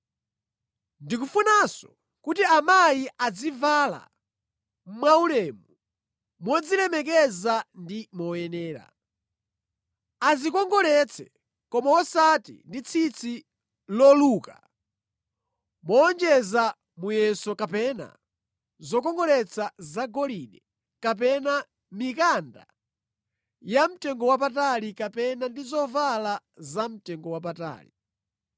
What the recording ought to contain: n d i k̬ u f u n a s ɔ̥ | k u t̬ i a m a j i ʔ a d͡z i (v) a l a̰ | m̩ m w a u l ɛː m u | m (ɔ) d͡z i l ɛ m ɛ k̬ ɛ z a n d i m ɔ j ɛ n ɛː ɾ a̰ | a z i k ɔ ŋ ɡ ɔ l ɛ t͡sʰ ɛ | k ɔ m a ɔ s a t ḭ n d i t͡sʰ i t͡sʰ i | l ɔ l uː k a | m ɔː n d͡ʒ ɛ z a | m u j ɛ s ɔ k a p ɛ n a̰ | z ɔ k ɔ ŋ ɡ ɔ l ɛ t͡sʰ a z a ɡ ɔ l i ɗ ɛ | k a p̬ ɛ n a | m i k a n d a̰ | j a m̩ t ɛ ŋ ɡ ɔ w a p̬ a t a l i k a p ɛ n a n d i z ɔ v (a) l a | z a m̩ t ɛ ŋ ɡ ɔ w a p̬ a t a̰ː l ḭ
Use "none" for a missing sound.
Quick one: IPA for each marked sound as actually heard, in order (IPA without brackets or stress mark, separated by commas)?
v, ɔ, a